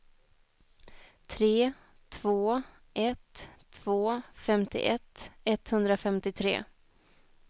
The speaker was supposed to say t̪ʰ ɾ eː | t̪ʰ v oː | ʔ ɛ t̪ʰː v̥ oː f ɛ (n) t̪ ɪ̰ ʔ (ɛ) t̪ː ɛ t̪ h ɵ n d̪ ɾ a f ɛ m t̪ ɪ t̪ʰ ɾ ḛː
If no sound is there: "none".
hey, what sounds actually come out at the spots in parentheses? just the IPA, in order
m, ɛ

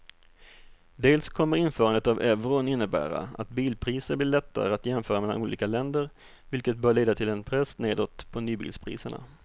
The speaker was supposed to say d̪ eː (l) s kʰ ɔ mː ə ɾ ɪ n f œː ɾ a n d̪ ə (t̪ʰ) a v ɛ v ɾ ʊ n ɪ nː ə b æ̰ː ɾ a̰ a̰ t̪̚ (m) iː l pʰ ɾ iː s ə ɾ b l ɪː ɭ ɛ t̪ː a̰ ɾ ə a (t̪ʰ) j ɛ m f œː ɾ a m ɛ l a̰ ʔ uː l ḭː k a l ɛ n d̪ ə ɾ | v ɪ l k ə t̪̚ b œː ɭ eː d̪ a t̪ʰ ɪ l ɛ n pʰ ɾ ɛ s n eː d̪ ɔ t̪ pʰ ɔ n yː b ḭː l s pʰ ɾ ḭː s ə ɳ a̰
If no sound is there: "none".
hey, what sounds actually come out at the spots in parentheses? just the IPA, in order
l, t̪, b, t̪

